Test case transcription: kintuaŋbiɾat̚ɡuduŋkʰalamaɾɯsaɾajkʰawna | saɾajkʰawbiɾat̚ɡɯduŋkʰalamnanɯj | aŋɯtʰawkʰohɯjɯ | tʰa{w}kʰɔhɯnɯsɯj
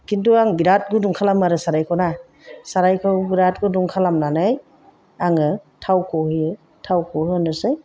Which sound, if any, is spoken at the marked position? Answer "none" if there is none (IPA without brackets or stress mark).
w